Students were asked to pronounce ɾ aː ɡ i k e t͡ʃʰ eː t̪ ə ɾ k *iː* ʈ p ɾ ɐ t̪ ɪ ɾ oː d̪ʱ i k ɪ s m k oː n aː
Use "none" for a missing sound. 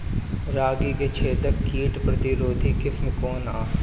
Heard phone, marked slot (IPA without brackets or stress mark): iː